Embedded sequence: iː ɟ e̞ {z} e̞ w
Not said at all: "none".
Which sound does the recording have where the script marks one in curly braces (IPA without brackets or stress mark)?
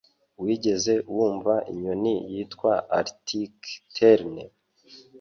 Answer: z